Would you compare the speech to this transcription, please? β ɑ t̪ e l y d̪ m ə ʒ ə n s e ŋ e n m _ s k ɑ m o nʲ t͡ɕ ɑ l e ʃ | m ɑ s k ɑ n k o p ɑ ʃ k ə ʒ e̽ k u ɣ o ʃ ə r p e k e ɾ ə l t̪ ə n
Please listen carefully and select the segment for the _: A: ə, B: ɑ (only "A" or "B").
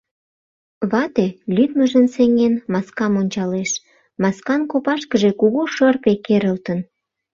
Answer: B